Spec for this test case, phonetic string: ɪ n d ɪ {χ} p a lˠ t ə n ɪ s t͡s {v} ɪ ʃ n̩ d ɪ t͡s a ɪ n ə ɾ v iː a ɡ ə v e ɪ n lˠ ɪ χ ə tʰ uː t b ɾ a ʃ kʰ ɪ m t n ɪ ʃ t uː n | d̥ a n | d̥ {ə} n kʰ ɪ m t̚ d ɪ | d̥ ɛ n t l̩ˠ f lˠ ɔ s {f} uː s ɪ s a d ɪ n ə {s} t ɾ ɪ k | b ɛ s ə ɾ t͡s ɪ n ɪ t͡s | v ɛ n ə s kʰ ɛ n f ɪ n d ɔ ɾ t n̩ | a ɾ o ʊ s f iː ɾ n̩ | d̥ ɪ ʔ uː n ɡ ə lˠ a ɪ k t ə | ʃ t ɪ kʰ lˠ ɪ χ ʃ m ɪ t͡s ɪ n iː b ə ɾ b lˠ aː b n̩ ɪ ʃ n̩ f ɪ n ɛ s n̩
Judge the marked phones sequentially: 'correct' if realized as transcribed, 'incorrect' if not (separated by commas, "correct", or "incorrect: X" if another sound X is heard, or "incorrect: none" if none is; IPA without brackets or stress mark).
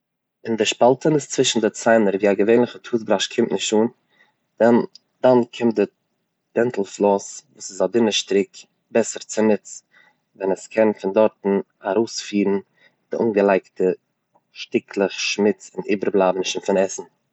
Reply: incorrect: ʃ, correct, incorrect: a, incorrect: v, incorrect: ʃ